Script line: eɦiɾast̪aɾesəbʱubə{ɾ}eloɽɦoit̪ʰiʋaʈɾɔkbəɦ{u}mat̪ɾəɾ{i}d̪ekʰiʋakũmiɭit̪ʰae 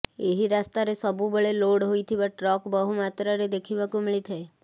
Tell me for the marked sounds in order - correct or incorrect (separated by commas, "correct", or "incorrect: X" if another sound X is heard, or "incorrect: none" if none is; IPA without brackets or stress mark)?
incorrect: ɭ, correct, incorrect: e